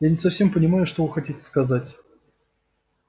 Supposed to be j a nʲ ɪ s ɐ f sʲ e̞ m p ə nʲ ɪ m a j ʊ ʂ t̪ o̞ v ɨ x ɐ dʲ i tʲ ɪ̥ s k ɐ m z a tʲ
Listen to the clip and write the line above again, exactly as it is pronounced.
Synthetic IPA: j a nʲ ɪ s ɐ f sʲ e̞ m p ə nʲ ɪ m a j ʊ ʂ t̪ o̞ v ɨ x ɐ tʲ i tʲ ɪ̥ s k ɐ z a tʲ